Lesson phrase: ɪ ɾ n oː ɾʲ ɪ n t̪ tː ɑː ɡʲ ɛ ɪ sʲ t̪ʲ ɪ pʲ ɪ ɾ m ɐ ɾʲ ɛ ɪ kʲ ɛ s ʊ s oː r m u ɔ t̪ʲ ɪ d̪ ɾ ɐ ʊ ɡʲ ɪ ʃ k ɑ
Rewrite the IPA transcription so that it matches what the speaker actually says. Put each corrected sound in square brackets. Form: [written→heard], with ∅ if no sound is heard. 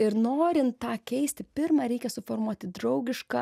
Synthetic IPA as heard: ɪ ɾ n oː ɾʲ ɪ n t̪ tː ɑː [ɡʲ→kʲ] ɛ ɪ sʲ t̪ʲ ɪ pʲ ɪ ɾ m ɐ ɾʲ ɛ ɪ kʲ ɛ s ʊ [s→f] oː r m u ɔ t̪ʲ ɪ d̪ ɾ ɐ ʊ ɡʲ ɪ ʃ k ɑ

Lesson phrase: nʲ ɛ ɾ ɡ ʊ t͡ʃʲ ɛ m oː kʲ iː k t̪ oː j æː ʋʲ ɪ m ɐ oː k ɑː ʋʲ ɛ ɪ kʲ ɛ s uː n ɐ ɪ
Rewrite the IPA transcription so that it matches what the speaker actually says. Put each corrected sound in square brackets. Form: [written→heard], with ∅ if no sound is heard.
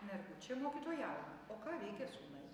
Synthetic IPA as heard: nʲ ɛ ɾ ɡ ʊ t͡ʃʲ ɛ m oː kʲ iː [k→∅] t̪ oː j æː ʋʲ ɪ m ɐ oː k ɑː ʋʲ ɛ ɪ kʲ ɛ s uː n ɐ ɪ

